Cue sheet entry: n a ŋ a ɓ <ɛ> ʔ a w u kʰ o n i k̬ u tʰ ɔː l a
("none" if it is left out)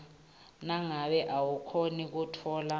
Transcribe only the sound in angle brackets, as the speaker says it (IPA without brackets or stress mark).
ɛ